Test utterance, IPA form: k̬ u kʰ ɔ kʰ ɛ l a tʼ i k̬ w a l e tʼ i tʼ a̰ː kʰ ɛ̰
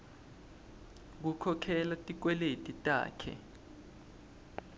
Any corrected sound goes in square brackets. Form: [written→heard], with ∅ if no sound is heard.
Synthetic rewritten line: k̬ u kʰ ɔ kʰ ɛ l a tʼ i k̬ w [a→ɛ] l e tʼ i tʼ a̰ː kʰ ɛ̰